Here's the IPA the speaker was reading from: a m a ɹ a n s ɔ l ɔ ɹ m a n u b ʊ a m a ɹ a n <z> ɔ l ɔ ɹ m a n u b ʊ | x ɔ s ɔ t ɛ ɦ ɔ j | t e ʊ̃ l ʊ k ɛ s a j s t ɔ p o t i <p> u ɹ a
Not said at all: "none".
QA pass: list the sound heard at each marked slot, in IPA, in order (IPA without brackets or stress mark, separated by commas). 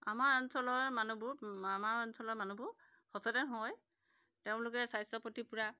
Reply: s, p